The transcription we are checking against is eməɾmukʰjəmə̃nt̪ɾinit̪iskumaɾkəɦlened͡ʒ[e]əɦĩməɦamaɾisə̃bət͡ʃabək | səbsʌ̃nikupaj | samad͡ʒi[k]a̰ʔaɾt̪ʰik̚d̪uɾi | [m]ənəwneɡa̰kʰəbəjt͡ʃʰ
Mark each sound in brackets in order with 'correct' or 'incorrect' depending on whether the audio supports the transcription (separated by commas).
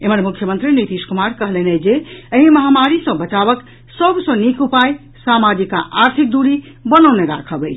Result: correct, correct, incorrect